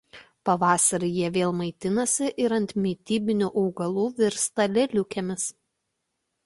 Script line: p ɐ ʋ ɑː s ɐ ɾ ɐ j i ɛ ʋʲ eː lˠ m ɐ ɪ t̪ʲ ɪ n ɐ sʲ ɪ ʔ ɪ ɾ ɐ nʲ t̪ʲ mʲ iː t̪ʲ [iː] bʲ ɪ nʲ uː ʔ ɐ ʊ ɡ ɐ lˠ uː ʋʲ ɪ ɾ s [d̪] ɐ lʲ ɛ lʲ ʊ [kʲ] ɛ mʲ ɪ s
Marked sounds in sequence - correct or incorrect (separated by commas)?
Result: correct, incorrect, correct